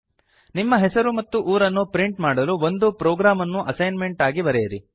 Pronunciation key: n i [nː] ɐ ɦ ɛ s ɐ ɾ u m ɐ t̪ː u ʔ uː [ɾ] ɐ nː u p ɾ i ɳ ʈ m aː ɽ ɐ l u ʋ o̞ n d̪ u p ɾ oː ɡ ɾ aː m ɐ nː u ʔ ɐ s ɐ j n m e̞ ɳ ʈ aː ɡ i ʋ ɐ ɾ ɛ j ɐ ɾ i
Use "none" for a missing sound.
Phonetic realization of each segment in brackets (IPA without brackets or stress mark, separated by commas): mː, ɾ